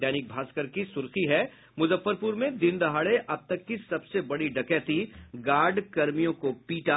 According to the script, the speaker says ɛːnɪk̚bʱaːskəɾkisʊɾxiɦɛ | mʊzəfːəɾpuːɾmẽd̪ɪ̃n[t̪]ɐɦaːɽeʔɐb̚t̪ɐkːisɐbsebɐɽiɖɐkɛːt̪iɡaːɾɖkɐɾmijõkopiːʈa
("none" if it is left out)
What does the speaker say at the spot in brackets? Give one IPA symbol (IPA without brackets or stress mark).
d̪